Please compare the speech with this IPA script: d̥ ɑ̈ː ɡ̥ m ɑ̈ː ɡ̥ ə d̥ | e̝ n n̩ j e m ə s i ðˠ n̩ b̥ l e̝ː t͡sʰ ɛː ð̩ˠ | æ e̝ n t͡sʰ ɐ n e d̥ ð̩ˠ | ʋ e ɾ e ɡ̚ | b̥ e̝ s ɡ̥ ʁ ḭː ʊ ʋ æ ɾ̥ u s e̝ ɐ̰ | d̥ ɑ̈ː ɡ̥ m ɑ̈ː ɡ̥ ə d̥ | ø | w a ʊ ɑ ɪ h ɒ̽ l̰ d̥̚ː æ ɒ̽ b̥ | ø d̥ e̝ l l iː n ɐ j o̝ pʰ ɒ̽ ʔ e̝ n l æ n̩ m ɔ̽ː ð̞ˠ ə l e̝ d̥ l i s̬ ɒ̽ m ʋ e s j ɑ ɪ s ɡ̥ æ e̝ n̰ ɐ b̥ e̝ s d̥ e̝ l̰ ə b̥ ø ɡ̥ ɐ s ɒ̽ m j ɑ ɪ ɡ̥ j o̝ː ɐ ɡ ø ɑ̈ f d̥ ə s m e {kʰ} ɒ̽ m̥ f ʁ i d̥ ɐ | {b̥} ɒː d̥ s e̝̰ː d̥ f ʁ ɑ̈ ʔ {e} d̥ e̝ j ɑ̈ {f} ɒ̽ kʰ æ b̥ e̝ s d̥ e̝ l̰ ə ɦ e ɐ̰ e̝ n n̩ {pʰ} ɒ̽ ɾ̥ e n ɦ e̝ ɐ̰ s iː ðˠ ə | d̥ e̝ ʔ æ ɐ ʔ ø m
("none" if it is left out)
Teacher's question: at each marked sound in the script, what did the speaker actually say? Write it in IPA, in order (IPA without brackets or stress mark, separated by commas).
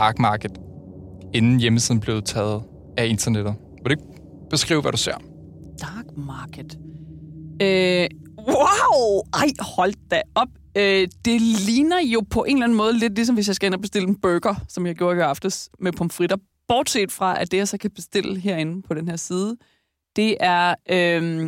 pʰ, b̥, æ, s, pʰ